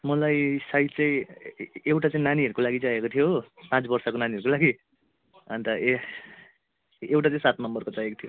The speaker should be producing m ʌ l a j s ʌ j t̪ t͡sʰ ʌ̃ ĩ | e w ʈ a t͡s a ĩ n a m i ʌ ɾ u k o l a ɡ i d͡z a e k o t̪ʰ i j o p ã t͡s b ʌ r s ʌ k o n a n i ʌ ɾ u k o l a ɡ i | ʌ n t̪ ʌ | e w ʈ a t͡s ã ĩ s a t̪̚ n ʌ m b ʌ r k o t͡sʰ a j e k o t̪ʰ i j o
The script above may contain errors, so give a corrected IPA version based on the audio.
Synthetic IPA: m ʌ l a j s a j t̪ t͡s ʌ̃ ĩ | e w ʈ a t͡s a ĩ n a n i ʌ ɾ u k o l a ɡ i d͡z a e k o t̪ʰ i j o p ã t͡s b ʌ r s ʌ k o n a n i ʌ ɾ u k o l a ɡ i | ʌ n t̪ ʌ | e w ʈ a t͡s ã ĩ s a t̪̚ n ʌ m b ʌ r k o t͡s a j e k o t̪ʰ i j o